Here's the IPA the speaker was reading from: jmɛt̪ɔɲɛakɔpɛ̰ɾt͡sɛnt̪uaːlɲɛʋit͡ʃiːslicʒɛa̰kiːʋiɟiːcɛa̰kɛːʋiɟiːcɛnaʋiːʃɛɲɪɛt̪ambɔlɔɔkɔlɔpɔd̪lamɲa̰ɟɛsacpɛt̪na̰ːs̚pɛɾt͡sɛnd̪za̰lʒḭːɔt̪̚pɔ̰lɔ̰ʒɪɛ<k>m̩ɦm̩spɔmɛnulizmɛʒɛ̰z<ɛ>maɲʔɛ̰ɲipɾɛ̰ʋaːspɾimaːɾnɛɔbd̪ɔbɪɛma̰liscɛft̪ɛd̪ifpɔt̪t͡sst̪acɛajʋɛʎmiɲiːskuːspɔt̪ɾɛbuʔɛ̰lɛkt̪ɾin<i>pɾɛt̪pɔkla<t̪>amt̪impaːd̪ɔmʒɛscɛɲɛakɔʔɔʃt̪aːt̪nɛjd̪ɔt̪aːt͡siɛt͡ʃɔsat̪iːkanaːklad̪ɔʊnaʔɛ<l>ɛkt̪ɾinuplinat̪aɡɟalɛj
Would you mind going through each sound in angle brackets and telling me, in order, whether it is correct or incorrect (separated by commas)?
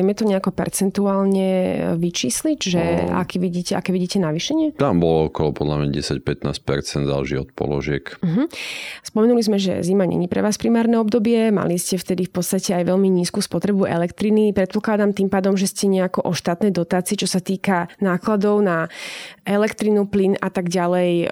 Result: correct, incorrect, correct, incorrect, correct